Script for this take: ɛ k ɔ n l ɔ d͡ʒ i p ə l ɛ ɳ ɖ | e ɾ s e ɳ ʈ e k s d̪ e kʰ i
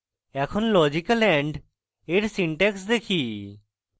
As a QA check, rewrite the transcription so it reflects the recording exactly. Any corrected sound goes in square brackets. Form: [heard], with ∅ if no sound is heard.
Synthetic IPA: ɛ [kʰ] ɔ n l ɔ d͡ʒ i [k] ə l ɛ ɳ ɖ | e ɾ s [i] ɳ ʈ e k s d̪ e kʰ i